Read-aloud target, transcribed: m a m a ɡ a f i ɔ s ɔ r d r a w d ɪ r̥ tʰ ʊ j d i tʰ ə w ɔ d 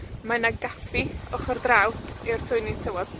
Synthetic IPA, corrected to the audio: m a n a ɡ a f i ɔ χ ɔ r d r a w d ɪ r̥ tʰ ʊ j n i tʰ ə w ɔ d